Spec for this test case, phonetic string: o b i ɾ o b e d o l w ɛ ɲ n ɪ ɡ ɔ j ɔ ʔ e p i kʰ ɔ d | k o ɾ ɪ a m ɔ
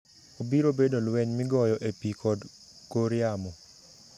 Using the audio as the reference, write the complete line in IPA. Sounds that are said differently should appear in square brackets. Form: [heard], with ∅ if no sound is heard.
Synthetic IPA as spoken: o b i ɾ o b e d o l w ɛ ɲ [m] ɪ ɡ ɔ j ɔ ʔ e p i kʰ ɔ d | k o ɾ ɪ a m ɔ

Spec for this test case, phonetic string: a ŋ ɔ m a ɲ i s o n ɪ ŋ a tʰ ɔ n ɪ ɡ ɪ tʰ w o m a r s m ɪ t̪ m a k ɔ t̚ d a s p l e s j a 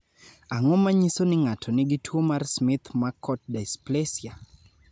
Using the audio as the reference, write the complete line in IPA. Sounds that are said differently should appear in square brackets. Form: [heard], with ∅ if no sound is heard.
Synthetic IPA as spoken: a ŋ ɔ m a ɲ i s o n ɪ ŋ a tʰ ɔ n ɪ ɡ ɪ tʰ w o m a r s m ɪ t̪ m a k ɔ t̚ d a s p l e s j a

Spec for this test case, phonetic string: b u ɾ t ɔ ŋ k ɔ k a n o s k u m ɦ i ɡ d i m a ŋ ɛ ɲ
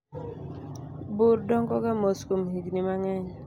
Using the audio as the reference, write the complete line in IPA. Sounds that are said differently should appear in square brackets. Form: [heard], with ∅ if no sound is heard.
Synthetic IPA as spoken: b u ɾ [d] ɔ ŋ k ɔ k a [m] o s k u m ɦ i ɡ [n] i m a ŋ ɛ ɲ

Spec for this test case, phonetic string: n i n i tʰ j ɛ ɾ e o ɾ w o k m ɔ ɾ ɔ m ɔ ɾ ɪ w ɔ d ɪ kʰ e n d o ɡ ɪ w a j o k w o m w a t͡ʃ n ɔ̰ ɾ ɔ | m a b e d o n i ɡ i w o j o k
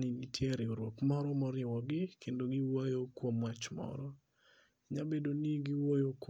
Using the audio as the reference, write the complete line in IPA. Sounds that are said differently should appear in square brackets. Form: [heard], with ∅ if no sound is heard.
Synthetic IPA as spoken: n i n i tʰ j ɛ ɾ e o ɾ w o k m ɔ ɾ ɔ m ɔ ɾ ɪ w ɔ [ɡ] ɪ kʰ e n d o ɡ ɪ w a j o k w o m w a t͡ʃ [m] ɔ̰ ɾ ɔ | [ɲ] a b e d o n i ɡ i w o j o k

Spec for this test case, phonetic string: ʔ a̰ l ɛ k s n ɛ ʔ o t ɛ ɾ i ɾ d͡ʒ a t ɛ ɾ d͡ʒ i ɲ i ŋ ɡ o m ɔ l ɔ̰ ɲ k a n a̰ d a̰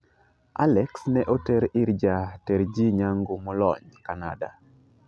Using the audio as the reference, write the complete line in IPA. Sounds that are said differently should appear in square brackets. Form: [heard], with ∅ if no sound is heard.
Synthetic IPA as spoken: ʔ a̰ l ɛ k s n ɛ ʔ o t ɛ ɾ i ɾ d͡ʒ a t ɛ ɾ d͡ʒ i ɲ [a] ŋ ɡ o m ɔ l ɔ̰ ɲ k a n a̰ d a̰

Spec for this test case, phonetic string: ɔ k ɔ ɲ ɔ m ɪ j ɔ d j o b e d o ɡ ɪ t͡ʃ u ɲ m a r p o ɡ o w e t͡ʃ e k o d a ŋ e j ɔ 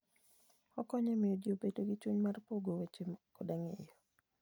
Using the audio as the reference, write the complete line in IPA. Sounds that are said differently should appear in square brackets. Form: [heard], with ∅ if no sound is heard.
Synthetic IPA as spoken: ɔ k ɔ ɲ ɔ m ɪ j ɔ d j o b e d o ɡ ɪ t͡ʃ u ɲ m a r p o ɡ o w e t͡ʃ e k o d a ŋ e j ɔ

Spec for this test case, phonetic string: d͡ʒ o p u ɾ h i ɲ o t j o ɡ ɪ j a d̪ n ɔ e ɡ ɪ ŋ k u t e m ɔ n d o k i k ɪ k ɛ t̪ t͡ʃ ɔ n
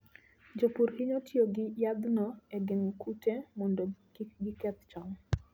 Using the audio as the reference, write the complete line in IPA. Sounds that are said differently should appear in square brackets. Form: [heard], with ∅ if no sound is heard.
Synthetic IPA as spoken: d͡ʒ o p u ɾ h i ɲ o t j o ɡ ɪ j a d̪ n ɔ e ɡ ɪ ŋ k u t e m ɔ n d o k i [ɡ] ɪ k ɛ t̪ t͡ʃ ɔ [ŋ]

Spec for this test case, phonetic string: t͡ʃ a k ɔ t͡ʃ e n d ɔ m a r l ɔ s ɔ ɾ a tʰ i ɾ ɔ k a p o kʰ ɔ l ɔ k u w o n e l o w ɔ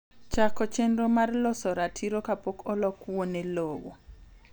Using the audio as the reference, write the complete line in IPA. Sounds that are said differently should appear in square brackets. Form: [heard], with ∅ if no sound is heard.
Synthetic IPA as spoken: t͡ʃ a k ɔ t͡ʃ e n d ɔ m a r l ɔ s ɔ ɾ a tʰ i ɾ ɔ k a p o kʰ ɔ l ɔ k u w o n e l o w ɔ

